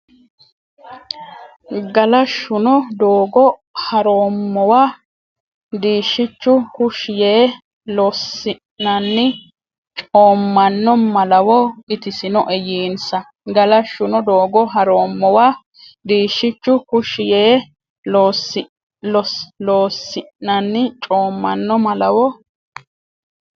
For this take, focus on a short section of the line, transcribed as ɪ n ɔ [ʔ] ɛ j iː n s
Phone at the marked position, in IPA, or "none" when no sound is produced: ʔ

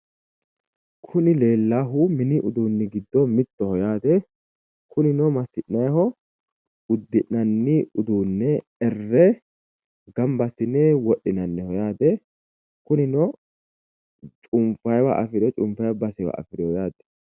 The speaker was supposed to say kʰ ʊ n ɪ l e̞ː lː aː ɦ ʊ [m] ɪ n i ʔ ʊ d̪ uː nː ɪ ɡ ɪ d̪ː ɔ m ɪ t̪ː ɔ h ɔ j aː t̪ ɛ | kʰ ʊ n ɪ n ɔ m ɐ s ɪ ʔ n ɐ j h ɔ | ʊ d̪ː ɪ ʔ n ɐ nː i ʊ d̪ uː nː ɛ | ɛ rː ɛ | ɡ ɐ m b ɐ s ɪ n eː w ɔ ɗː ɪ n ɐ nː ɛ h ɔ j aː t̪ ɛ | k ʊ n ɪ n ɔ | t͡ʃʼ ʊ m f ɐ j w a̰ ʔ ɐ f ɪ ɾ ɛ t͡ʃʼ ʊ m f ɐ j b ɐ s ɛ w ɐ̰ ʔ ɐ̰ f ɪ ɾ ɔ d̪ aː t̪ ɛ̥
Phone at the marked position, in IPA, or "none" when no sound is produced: m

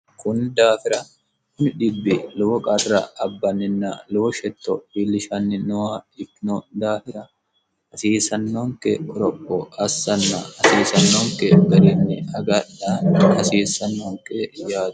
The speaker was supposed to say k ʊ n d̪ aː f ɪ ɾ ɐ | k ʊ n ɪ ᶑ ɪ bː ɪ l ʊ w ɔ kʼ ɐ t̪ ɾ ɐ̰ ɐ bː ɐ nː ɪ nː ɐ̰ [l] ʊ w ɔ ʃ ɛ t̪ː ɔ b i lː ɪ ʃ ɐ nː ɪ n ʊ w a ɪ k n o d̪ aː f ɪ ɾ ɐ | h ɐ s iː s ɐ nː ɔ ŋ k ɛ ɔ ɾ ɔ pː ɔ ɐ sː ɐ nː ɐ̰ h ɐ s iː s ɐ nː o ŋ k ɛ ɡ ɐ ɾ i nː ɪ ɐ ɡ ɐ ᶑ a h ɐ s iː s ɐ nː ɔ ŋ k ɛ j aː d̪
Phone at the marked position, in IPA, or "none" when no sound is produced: l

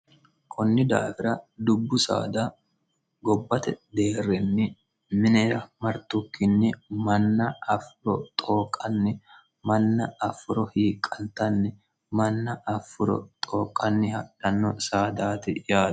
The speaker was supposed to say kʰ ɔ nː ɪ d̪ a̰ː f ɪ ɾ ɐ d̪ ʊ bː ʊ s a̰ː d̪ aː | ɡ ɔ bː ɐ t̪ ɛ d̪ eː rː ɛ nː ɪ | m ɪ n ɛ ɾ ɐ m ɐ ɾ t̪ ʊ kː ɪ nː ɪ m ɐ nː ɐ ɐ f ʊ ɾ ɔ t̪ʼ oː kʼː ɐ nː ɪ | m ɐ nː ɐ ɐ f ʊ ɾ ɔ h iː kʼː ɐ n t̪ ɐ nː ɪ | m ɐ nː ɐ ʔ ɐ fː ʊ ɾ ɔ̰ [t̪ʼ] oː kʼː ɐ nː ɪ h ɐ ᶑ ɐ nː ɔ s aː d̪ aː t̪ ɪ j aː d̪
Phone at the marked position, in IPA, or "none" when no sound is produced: t̪ʼ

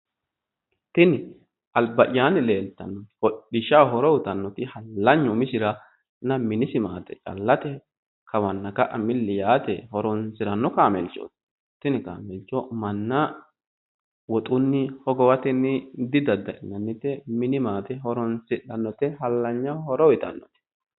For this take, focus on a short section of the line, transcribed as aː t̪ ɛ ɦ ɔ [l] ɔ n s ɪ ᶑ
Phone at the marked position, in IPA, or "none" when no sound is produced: ɾ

